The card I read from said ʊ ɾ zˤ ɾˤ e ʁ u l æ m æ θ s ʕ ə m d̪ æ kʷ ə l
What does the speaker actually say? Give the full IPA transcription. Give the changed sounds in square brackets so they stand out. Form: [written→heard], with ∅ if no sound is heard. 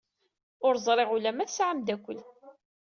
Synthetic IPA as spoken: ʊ ɾ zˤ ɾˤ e ʁ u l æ m æ θ s ʕ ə m d̪ æ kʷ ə l